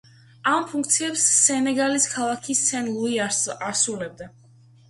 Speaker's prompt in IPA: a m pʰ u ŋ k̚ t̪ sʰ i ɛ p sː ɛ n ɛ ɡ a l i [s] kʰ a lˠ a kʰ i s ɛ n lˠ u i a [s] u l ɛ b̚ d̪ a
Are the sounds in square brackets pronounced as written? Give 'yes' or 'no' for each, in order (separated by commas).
yes, yes